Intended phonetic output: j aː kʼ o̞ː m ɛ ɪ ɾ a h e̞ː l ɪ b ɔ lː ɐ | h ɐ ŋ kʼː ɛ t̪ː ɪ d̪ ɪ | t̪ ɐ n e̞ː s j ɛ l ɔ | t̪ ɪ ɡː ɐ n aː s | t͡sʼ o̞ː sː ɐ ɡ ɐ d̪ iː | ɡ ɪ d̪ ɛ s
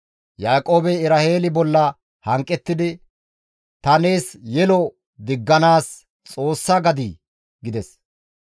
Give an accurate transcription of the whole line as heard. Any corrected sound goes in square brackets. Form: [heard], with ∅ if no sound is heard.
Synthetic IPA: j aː kʼ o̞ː [b] ɛ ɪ ɾ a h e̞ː l ɪ b ɔ lː ɐ | h ɐ ŋ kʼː ɛ t̪ː ɪ d̪ ɪ | t̪ ɐ n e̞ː s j ɛ l ɔ | [d̪] ɪ ɡː ɐ n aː s | t͡sʼ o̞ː sː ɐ ɡ ɐ d̪ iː | ɡ ɪ d̪ ɛ s